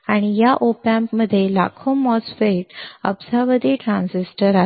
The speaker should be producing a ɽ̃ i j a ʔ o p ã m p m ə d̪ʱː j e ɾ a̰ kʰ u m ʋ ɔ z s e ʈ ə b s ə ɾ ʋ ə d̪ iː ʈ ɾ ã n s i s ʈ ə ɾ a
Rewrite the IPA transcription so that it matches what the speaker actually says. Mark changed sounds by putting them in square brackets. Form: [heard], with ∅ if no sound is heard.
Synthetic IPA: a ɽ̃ i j a ʔ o p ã m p m ə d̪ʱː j e [l] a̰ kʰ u m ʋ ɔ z [f] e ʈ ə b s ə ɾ ʋ ə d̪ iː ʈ ɾ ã n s i s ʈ ə ɾ a